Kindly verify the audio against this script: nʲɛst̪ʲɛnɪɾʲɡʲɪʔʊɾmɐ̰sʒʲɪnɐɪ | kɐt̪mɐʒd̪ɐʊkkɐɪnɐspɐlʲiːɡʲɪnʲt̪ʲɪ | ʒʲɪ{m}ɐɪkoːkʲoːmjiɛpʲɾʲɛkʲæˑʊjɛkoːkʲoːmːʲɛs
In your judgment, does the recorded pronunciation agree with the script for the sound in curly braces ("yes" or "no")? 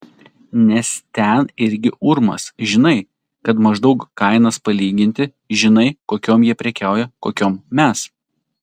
no